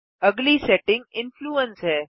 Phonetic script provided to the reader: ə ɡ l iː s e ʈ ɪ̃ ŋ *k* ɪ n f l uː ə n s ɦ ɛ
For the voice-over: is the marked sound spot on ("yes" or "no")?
no